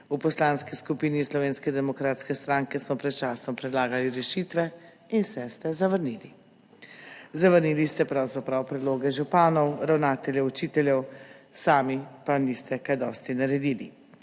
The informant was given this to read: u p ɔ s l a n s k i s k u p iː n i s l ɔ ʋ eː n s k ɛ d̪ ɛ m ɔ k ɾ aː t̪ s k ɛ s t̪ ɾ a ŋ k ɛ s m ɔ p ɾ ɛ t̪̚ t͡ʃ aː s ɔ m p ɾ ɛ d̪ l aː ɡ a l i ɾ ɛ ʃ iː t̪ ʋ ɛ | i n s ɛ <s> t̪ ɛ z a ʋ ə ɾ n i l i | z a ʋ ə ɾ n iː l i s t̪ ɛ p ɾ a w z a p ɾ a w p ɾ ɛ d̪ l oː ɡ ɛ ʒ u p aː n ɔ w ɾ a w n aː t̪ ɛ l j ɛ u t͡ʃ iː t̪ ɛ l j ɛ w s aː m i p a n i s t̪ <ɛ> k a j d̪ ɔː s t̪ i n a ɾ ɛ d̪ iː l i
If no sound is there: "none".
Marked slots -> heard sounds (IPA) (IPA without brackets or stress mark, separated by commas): s, ɛ